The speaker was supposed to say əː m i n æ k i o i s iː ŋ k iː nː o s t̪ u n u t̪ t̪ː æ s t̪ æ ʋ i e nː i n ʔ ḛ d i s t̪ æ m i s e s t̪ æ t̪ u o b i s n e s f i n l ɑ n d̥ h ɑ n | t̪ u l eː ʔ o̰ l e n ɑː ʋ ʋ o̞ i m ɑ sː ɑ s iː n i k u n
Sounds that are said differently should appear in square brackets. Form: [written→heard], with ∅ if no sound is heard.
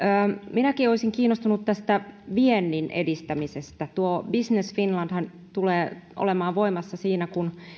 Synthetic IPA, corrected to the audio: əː m i n æ k i o i s [iː→i] ŋ k iː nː o s t̪ u n u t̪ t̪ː æ s t̪ æ ʋ i e nː i n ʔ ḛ d i s t̪ æ m i s e s t̪ æ t̪ u o b i s n e s f i n l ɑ n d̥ h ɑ n | t̪ u l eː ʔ o̰ l e [n→m] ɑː ʋ ʋ o̞ i m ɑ sː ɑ s iː n [i→æ] k u n